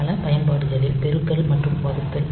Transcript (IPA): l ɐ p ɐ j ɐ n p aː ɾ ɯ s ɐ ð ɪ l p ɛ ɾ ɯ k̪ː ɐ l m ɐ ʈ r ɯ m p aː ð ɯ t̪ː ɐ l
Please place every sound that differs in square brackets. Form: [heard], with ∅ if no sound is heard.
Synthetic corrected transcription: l ɐ p ɐ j ɐ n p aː [ɽ] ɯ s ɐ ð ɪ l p ɛ ɾ ɯ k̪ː ɐ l m ɐ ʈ r ɯ m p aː ð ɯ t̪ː ɐ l